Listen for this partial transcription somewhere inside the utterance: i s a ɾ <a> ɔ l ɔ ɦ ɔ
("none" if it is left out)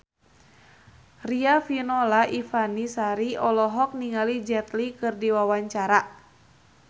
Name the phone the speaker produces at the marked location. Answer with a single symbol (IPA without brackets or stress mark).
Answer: i